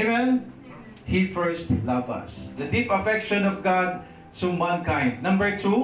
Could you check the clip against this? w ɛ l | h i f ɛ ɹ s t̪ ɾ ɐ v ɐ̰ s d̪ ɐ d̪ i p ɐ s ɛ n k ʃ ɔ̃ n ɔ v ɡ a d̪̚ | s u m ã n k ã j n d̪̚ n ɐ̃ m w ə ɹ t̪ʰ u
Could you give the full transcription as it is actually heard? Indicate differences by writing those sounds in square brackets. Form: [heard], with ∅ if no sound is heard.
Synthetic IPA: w ɛ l | h i f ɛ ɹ s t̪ [l] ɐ v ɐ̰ s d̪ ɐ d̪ i p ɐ [f] ɛ [∅] k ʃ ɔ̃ n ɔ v ɡ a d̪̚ | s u m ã n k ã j n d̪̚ n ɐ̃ m [b] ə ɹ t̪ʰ u